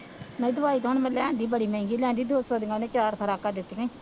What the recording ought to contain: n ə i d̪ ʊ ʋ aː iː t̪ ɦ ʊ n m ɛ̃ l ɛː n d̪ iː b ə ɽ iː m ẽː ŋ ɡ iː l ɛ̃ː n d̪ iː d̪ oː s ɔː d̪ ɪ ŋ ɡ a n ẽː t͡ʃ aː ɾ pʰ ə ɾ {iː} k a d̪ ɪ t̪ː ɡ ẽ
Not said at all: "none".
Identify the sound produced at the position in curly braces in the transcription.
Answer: aː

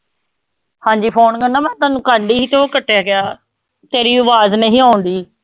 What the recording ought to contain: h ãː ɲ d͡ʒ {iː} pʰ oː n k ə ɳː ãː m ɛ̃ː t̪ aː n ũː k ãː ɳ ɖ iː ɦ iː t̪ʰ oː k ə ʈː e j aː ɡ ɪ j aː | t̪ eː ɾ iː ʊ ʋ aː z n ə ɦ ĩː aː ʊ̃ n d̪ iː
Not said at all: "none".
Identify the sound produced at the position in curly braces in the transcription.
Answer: iː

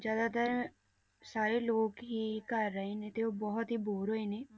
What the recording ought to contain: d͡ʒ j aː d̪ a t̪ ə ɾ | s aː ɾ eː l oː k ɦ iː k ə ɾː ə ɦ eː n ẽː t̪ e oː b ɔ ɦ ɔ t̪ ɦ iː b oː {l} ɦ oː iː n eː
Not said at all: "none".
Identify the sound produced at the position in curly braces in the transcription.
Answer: ɾ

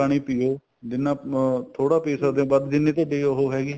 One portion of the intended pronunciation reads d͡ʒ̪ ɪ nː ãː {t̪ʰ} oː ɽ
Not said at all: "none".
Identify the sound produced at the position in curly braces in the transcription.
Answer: t̪ʰ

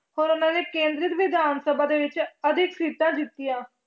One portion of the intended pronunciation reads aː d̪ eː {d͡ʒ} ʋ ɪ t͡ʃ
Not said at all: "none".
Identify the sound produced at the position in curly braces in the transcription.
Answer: none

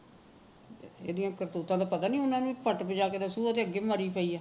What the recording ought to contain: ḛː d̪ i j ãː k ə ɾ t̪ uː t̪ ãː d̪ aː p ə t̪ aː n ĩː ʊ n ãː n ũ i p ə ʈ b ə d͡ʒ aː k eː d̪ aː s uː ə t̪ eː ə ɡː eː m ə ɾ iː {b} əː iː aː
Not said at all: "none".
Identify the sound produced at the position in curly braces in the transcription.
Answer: p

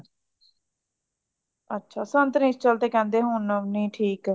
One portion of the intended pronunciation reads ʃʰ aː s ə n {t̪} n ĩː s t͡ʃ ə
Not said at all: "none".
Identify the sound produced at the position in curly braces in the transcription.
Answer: t̪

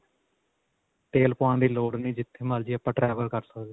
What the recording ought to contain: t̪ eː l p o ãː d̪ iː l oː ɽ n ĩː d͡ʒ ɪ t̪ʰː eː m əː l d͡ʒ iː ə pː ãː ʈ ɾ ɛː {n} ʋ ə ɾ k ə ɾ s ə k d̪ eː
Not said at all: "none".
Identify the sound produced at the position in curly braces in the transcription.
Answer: none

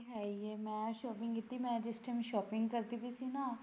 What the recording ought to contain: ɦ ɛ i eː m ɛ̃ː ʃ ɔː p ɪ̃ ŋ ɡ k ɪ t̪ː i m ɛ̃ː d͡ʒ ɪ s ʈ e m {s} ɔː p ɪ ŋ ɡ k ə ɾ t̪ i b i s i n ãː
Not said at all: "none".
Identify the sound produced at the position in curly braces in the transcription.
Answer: ʃ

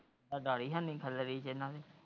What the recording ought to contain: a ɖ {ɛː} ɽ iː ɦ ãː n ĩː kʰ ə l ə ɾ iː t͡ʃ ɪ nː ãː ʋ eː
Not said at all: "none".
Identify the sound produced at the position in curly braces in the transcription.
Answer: aː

